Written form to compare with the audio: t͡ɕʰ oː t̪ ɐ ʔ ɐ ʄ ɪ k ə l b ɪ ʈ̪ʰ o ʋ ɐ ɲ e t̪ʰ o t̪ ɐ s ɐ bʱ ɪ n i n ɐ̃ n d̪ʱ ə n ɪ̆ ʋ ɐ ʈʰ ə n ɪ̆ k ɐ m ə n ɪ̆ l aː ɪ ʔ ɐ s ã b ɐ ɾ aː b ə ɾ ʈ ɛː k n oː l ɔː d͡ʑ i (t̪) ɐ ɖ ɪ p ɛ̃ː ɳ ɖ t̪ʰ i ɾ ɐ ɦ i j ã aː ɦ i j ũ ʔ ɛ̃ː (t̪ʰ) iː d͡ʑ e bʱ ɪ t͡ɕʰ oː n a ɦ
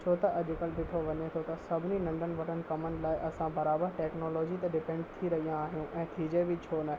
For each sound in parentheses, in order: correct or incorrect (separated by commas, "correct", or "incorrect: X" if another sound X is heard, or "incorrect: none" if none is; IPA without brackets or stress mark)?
correct, correct